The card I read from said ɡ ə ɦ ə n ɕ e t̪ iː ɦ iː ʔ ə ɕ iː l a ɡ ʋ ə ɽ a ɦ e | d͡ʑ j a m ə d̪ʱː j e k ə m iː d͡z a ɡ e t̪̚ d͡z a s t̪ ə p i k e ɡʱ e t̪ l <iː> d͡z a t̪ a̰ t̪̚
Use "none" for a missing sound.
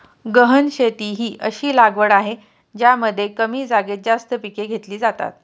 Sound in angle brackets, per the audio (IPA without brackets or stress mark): iː